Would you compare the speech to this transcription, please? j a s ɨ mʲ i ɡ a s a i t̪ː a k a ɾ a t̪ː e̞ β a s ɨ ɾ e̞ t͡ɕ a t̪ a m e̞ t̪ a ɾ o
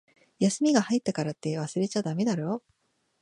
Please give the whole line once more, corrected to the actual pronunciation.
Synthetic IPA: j a s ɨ mʲ i ɡ a h a i t̪ː a k a ɾ a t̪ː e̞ β a s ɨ ɾ e̞ t͡ɕ a d̪ a m e̞ d̪ a ɾ o